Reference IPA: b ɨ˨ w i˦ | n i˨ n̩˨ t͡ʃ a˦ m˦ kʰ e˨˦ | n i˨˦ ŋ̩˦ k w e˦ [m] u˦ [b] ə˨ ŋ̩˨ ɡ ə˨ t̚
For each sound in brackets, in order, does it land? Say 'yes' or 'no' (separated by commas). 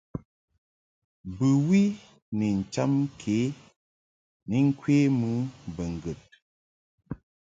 yes, yes